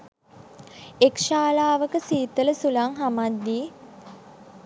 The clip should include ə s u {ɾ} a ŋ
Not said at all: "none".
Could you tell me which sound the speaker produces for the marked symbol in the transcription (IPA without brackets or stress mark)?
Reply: l